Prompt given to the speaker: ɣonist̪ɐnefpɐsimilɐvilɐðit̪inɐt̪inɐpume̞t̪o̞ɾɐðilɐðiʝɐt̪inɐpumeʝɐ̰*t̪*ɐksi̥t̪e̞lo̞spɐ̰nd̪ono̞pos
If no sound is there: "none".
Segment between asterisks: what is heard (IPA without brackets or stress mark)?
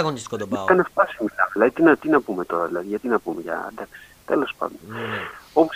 d̪